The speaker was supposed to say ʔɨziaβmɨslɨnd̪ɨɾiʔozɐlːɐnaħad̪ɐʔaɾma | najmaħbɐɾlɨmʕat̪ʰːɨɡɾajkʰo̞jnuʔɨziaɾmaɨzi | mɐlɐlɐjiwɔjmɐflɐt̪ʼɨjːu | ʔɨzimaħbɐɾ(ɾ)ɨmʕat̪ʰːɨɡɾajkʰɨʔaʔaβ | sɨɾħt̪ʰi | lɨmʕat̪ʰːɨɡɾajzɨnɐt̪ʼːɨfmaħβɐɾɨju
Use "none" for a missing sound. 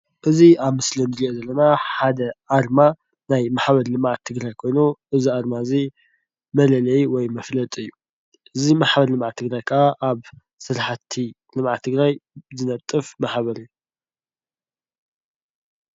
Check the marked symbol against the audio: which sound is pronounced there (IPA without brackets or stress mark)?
l